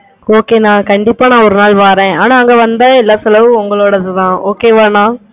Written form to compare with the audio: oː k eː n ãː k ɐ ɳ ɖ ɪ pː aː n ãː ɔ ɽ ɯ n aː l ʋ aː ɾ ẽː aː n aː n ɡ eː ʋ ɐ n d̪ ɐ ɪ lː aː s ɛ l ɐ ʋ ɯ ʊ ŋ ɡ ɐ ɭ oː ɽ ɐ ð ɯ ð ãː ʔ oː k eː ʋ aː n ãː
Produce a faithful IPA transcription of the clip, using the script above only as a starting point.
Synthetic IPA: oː k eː n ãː k ɐ ɳ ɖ ɪ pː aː n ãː ɔ ɾ ɯ n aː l ʋ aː ɾ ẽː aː n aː ŋ ɡ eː ʋ ɐ n d̪ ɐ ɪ lː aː s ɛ l ɐ ʋ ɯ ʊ ŋ ɡ ɐ ɭ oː ɽ ɐ ð ɯ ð ãː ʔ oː k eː ʋ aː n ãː